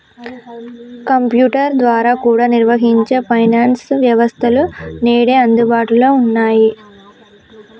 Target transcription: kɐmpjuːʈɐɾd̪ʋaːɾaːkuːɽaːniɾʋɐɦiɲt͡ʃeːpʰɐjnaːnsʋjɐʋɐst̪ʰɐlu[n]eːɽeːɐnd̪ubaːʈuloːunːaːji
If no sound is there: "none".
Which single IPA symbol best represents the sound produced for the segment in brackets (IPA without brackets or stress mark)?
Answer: n